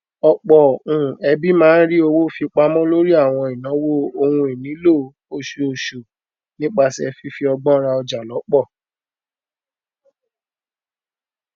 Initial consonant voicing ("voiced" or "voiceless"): voiceless